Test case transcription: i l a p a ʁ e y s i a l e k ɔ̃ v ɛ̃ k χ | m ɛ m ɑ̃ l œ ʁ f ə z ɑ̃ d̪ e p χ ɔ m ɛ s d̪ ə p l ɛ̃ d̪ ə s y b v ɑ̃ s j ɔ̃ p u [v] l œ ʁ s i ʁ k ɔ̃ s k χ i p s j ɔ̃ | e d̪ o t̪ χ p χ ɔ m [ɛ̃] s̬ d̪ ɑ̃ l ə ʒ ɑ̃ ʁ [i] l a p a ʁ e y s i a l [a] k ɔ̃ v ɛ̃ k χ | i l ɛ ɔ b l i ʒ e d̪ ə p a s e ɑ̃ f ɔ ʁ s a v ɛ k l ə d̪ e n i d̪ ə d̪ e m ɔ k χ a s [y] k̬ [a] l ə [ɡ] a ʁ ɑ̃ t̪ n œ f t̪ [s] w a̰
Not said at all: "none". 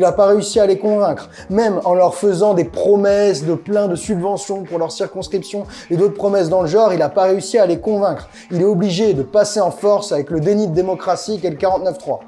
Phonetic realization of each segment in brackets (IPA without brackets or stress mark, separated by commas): ʁ, ɛ, i, e, i, ɛ, k, χ